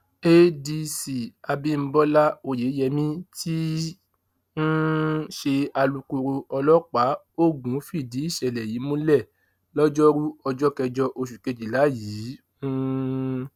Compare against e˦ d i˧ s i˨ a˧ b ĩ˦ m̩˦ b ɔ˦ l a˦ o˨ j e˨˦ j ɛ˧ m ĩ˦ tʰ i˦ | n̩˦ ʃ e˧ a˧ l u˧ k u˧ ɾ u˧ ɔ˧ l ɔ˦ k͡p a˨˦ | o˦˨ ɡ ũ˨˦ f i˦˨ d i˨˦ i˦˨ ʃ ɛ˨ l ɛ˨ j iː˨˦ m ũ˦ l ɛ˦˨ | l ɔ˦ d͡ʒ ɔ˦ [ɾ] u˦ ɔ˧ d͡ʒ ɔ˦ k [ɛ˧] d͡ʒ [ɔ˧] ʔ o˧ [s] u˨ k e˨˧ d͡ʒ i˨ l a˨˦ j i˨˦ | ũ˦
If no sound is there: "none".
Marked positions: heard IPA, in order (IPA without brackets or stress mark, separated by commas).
ɾ, ɛ˧, ɔ˧, ʃ